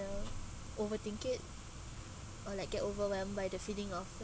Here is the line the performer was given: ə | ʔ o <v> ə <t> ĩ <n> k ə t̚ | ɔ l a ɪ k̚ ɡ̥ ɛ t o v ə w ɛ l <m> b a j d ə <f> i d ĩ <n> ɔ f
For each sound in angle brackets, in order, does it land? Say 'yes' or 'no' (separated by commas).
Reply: yes, yes, no, yes, yes, no